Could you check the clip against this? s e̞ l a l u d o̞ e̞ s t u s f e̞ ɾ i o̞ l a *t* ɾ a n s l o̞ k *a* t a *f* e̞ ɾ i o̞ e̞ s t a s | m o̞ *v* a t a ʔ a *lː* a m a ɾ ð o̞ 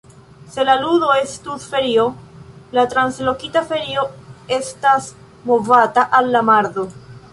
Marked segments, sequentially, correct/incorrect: correct, incorrect, correct, correct, correct

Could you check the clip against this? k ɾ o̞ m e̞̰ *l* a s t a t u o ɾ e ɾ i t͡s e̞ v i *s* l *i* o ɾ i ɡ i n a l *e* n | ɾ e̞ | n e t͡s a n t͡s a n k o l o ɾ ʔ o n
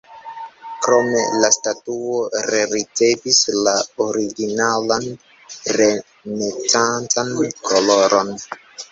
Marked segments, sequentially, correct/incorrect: correct, correct, incorrect, incorrect

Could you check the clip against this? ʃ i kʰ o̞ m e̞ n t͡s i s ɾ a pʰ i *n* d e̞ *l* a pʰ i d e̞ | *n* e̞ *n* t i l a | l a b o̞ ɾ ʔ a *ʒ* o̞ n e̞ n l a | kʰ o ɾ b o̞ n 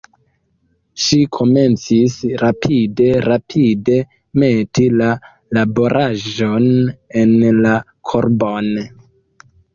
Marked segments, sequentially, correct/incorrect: incorrect, incorrect, incorrect, incorrect, correct

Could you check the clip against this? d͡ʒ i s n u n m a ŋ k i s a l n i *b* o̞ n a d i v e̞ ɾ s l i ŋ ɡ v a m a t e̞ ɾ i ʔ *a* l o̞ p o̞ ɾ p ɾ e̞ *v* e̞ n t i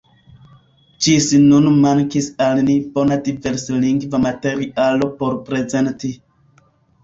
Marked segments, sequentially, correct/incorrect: correct, correct, incorrect

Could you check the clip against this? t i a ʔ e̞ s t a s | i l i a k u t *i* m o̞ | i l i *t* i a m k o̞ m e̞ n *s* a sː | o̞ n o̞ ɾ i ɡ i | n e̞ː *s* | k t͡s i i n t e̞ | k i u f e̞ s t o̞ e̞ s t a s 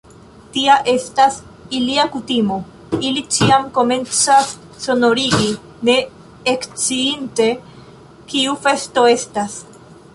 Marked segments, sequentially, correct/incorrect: correct, incorrect, incorrect, incorrect

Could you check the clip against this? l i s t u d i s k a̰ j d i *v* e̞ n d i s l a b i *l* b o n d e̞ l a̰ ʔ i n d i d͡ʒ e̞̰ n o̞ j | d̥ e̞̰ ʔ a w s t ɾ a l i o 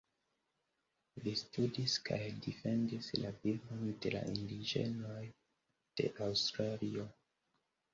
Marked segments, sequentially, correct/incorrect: incorrect, correct

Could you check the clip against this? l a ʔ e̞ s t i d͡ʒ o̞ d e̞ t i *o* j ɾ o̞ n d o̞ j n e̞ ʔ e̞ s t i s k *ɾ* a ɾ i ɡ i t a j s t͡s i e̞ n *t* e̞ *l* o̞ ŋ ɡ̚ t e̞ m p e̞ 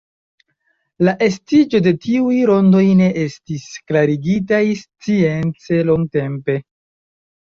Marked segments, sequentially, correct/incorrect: incorrect, incorrect, incorrect, correct

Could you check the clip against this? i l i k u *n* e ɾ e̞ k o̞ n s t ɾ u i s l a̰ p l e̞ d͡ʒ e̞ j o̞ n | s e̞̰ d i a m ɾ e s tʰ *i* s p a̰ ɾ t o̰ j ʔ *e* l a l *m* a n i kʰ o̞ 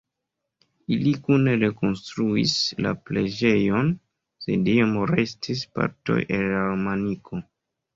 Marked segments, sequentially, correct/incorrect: correct, correct, correct, correct

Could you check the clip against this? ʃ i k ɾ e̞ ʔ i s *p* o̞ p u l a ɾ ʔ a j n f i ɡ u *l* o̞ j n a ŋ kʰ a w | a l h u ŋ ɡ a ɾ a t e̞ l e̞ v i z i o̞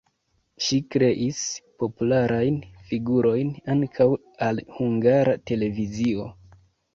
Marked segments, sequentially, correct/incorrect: correct, incorrect

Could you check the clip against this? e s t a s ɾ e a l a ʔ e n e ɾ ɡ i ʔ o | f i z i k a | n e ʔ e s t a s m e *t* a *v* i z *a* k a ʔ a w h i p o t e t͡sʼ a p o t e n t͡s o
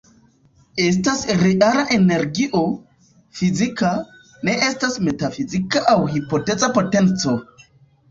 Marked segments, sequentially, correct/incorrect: correct, incorrect, incorrect

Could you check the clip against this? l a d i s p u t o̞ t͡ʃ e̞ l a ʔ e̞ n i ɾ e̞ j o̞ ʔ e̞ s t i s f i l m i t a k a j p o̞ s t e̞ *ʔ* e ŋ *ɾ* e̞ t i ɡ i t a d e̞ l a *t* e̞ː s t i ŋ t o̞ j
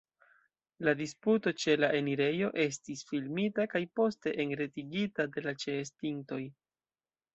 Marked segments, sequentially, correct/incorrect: correct, correct, incorrect

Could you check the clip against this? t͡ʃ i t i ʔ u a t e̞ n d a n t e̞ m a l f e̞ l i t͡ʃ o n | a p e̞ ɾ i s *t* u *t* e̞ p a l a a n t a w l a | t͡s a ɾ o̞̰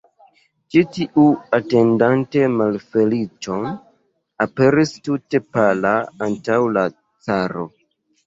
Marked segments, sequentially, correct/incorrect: correct, correct

